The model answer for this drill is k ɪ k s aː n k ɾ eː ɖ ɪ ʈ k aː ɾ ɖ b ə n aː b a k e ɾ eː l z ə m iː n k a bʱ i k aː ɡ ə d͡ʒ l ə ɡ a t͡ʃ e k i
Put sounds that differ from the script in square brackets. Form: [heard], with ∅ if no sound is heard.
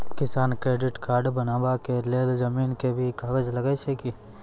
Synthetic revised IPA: k ɪ [∅] s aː n k ɾ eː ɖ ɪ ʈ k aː ɾ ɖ b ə n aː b a k e [l] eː l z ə m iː n k [e] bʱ i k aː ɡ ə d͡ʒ l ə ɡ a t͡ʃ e k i

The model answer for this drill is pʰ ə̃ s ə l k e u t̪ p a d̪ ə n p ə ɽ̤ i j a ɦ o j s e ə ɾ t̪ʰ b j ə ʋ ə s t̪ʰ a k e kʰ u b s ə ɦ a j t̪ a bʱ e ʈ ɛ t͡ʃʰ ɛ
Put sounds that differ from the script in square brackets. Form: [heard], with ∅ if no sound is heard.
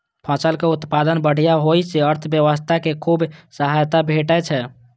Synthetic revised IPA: pʰ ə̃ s ə l k e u t̪ p a d̪ ə n [b] ə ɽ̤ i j a ɦ o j s e ə ɾ t̪ʰ b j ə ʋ ə s t̪ʰ a k e kʰ u b s ə ɦ a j t̪ a bʱ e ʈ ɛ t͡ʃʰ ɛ

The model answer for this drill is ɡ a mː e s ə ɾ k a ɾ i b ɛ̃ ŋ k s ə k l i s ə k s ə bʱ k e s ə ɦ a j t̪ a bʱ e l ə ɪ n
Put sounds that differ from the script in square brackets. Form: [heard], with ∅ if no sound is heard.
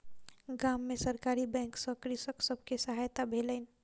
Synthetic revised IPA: ɡ a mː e s ə ɾ k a ɾ i b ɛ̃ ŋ k s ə k [ɾ] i s ə k s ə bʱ k e s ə ɦ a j t̪ a bʱ e l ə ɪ n

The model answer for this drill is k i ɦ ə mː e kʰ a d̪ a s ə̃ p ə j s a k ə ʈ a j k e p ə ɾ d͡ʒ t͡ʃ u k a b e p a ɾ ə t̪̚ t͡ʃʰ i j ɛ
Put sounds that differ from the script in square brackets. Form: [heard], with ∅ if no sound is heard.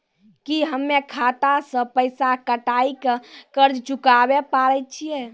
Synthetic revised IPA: k i ɦ ə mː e kʰ a [t̪] a s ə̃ p ə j s a k ə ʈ a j k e [k] ə ɾ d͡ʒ t͡ʃ u k a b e p a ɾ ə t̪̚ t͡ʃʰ i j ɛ

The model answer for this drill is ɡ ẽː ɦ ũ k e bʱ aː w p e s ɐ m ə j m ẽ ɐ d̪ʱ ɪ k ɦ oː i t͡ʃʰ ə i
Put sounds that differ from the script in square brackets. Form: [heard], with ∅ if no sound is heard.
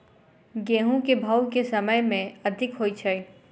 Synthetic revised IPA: ɡ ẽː ɦ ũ k e bʱ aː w [k] e s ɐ m ə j m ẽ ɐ d̪ʱ ɪ k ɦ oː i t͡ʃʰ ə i

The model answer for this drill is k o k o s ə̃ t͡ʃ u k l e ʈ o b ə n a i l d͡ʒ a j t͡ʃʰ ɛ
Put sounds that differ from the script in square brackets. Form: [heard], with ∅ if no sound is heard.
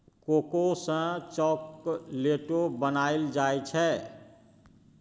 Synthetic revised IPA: k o k o s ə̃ t͡ʃ [ɔ] k l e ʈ o b ə n a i l d͡ʒ a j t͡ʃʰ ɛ

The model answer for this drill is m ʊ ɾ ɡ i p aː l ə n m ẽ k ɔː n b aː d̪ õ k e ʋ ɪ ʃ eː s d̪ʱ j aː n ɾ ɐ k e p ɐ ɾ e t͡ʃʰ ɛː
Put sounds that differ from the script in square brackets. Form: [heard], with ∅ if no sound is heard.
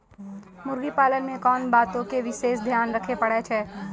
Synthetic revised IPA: m ʊ ɾ ɡ i p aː l ə n m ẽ k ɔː n b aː [t̪] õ k e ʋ ɪ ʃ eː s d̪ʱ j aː n ɾ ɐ [kʰ] e p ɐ [ɽ] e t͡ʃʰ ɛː

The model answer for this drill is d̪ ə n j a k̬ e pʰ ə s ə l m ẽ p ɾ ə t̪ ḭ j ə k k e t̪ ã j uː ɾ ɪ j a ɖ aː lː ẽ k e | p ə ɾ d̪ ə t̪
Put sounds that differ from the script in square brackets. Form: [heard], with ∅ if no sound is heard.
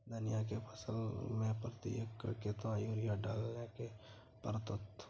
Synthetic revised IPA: d̪ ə n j a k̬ e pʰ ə s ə l m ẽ p ɾ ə t̪ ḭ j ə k k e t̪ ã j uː ɾ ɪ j a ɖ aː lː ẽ k e | p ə ɾ [t̪] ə t̪

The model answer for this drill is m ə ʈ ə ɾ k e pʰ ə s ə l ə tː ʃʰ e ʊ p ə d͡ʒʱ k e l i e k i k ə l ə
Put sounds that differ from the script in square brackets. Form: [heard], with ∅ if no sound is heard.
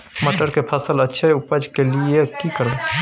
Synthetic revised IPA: m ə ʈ ə ɾ k e pʰ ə s ə l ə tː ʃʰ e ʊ p ə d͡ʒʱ k e l i e k i k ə [ɾ] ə

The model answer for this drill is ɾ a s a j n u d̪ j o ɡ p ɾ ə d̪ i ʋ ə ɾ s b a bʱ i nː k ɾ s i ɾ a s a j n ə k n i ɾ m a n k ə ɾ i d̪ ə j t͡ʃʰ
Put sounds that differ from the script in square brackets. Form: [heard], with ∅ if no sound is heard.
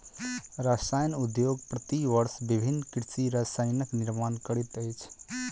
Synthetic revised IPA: ɾ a s a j n u d̪ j o ɡ p ɾ ə [t̪] i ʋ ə ɾ s b [i] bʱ i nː k ɾ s i ɾ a s a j n ə k n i ɾ m a n k ə ɾ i [t̪] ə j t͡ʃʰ

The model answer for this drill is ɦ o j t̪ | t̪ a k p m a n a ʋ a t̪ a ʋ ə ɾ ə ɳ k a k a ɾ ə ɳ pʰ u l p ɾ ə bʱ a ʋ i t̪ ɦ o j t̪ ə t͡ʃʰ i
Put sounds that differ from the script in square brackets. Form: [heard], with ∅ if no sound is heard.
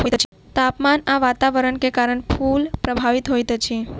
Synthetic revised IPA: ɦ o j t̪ | t̪ a [∅] p m a n a ʋ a t̪ a ʋ ə ɾ ə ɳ k [e] k a ɾ ə ɳ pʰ u l p ɾ ə bʱ a ʋ i t̪ ɦ o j t̪ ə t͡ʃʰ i

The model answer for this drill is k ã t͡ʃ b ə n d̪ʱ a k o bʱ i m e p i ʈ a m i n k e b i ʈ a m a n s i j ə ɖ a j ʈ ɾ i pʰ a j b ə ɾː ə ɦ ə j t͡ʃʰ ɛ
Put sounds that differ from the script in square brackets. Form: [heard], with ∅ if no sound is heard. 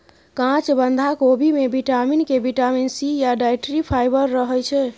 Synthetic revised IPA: k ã t͡ʃ b ə n d̪ʱ a k o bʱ i m e [b] i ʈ a m i n k e b i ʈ a m [i] n s i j [a] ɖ a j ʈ ɾ i pʰ a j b ə ɾː ə ɦ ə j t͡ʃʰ ɛ

